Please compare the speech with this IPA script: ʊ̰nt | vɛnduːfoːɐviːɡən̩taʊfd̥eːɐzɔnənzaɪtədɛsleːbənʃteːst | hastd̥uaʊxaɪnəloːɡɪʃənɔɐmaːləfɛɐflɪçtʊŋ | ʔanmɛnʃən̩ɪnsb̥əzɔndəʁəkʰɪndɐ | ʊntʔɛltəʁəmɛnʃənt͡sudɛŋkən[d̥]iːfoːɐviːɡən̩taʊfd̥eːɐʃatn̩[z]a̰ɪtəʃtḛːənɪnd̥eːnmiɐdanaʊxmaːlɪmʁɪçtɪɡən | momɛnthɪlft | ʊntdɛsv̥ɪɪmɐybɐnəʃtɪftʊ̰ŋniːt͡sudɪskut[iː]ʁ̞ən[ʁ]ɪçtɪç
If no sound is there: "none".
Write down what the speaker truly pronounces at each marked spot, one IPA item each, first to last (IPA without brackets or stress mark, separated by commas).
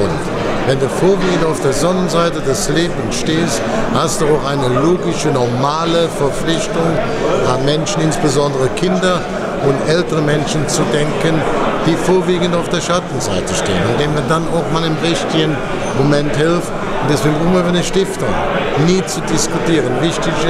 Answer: d̥, z, iː, v